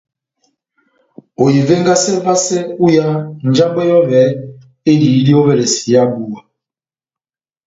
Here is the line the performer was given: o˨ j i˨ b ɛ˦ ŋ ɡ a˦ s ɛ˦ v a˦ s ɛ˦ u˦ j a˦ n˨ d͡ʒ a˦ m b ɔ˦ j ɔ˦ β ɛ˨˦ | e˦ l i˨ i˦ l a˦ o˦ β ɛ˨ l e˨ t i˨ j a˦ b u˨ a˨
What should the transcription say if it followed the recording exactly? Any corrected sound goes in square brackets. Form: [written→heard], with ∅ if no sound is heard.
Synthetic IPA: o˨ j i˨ [b→v] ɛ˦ ŋ ɡ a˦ s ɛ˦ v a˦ s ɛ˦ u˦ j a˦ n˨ d͡ʒ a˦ m b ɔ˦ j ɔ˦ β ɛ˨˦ | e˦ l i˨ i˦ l [a˦→i˦] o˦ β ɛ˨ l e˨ [t→s] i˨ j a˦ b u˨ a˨